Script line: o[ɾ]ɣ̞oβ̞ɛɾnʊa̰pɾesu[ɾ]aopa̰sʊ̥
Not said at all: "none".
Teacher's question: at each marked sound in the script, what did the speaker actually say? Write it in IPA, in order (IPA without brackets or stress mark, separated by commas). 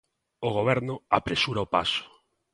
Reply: none, ɾ